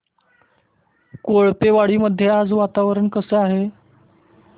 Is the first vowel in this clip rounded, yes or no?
yes